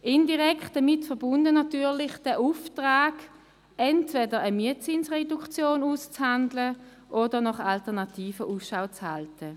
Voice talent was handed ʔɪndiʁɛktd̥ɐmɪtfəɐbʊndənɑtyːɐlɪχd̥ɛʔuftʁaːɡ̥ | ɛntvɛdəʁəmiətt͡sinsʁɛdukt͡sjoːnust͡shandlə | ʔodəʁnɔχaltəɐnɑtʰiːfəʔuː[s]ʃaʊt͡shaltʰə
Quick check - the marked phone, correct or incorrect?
correct